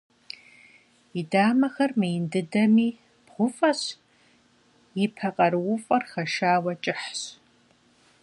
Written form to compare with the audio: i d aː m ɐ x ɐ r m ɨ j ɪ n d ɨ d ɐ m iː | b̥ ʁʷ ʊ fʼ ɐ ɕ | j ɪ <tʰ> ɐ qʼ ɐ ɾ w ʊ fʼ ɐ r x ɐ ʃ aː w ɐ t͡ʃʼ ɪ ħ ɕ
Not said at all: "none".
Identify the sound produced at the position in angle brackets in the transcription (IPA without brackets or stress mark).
pʰ